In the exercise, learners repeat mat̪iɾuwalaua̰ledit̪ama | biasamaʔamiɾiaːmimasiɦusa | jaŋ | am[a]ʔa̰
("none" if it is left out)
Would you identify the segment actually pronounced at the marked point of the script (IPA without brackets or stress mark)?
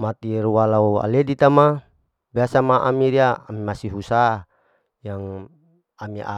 i